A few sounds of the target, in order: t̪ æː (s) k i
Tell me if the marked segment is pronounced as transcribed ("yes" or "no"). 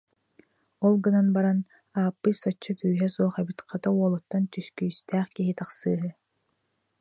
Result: no